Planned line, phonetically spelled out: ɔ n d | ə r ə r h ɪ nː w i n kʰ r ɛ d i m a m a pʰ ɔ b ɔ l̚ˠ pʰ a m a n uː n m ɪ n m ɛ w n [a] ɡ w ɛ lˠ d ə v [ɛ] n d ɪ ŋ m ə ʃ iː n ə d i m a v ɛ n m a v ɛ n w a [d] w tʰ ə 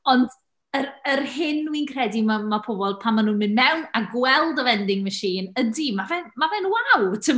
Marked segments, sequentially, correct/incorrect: correct, correct, incorrect: none

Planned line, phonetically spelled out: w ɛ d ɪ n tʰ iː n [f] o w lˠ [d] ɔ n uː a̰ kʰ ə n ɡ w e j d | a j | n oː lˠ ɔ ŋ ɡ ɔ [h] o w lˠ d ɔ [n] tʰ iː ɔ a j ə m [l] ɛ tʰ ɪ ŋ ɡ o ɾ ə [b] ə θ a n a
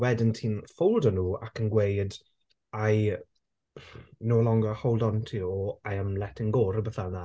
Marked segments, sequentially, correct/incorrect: correct, correct, correct, correct, correct, correct

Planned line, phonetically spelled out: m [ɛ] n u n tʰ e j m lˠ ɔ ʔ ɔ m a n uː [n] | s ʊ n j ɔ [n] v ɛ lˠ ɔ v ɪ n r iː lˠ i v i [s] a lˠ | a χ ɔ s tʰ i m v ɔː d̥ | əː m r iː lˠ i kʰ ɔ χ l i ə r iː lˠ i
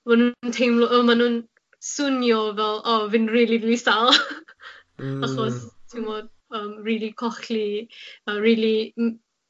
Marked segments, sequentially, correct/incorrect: incorrect: a, correct, incorrect: none, correct

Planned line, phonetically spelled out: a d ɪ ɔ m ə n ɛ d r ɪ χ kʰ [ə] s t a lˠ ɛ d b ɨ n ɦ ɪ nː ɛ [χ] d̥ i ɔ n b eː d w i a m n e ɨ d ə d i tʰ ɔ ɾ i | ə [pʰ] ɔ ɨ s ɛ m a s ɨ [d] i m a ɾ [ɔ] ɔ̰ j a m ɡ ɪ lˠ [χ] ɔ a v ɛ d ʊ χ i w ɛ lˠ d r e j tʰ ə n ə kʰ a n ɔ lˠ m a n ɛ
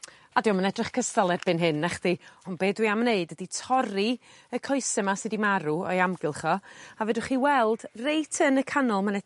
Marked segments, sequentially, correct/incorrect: correct, correct, incorrect: kʰ, correct, incorrect: u, correct

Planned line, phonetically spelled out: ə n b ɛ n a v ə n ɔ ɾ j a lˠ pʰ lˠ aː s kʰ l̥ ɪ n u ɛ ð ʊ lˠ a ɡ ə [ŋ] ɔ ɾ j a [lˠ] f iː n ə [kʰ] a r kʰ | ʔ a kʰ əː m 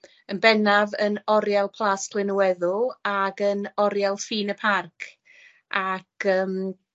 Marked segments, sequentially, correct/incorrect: incorrect: n, correct, incorrect: pʰ

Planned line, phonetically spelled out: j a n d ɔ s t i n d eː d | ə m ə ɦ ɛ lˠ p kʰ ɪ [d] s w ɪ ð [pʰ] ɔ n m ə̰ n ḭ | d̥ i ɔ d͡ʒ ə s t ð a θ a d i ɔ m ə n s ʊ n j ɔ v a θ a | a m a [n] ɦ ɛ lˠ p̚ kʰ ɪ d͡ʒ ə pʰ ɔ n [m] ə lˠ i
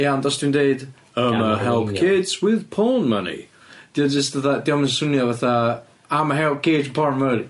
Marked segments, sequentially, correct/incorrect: correct, correct, incorrect: none, correct

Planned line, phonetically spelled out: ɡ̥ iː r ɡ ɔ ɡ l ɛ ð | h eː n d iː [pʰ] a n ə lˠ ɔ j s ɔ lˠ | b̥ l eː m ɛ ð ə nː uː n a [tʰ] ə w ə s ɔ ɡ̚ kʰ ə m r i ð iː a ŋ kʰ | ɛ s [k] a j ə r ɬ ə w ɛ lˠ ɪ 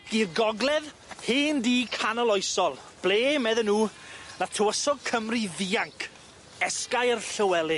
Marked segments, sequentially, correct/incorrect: incorrect: kʰ, correct, correct

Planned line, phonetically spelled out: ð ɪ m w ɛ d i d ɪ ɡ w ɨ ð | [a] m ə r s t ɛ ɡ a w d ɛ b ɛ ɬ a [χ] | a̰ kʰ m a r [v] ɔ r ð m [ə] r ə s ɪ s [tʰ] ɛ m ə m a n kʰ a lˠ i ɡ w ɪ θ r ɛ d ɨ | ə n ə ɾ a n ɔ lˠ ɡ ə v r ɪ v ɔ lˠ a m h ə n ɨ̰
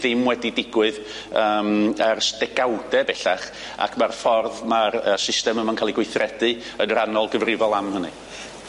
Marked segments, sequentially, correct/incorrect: incorrect: ə, correct, incorrect: f, incorrect: a, incorrect: t

